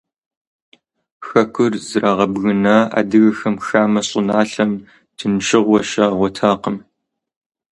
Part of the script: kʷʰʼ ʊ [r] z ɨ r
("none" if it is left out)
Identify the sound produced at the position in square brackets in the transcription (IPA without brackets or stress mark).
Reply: r